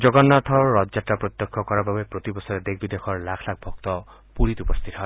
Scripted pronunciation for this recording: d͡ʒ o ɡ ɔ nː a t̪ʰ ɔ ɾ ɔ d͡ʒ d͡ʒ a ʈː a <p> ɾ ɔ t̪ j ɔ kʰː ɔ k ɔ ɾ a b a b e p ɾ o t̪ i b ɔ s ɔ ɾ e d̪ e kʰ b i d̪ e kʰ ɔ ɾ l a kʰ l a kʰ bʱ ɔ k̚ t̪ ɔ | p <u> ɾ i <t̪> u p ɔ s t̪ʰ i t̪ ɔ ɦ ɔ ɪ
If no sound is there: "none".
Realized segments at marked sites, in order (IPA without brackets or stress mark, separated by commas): p, u, t̪